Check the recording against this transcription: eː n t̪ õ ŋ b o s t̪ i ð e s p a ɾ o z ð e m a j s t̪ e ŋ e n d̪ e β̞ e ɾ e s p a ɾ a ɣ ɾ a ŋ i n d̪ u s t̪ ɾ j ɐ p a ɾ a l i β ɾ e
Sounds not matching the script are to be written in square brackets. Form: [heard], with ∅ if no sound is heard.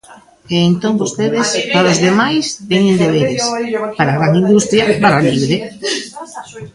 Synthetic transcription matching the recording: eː n t̪ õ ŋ b o s t̪ [e] ð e s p a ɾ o z ð e m a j s t̪ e [ɲ] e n d̪ e β̞ e ɾ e s p a ɾ a ɣ ɾ a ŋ i n d̪ u s t̪ ɾ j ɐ p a ɾ a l i β ɾ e